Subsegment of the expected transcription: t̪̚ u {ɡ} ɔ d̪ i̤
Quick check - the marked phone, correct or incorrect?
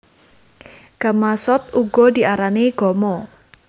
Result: correct